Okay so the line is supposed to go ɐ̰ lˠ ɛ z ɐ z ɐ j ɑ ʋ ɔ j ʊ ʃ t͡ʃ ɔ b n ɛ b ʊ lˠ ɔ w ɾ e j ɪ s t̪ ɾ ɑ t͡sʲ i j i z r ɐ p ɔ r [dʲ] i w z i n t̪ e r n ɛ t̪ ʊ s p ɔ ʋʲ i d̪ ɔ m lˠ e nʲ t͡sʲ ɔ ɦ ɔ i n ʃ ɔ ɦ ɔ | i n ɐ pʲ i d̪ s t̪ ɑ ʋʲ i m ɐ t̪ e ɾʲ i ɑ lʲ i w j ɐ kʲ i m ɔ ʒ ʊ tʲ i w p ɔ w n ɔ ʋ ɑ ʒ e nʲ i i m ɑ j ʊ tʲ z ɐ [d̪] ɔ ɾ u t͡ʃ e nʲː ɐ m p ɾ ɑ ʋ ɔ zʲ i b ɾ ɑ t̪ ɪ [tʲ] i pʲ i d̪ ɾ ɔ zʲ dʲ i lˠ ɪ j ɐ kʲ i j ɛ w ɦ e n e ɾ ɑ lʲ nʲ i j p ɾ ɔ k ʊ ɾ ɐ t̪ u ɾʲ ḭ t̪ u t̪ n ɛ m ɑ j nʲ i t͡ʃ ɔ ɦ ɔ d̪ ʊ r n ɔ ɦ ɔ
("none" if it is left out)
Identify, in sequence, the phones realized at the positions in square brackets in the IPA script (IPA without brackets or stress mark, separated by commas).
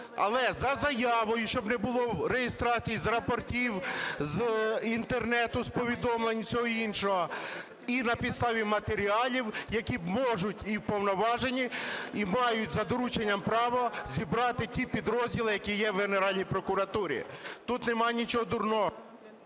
tʲ, d̪, tʲ